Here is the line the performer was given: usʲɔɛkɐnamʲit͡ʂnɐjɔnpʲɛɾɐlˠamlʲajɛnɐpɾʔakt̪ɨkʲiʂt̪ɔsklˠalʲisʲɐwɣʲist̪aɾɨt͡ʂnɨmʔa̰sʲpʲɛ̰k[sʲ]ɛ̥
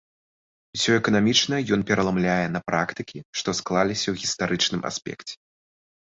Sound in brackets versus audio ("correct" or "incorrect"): incorrect